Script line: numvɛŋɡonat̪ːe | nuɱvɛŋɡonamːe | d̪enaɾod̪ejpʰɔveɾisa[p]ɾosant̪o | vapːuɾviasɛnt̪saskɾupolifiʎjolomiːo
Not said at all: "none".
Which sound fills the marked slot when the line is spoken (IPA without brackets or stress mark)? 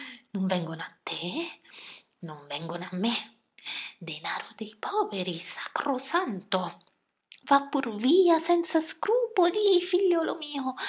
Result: k